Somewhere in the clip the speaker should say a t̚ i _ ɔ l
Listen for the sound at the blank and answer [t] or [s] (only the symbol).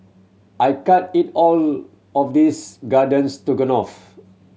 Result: t